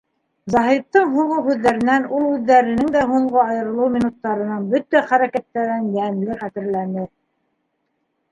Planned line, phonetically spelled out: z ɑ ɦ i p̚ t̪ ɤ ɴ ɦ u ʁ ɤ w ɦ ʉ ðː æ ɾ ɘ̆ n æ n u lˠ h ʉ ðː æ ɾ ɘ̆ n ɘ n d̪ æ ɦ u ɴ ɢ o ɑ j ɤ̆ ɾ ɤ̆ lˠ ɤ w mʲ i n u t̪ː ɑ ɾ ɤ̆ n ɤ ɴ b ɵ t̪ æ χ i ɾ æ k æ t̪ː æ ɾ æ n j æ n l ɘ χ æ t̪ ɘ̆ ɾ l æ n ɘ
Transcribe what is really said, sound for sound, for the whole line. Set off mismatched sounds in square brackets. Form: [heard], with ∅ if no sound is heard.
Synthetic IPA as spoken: z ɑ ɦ i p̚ t̪ ɤ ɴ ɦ u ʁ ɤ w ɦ ʉ ðː æ ɾ ɘ̆ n æ n u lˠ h ʉ ðː æ ɾ ɘ̆ n ɘ [ŋ] d̪ æ ɦ u ɴ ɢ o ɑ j ɤ̆ ɾ ɤ̆ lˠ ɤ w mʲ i n u t̪ː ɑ ɾ ɤ̆ n ɤ ɴ b ɵ t̪ æ χ [æ] ɾ æ k æ t̪ː æ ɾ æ n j æ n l ɘ χ æ t̪ ɘ̆ ɾ l æ n ɘ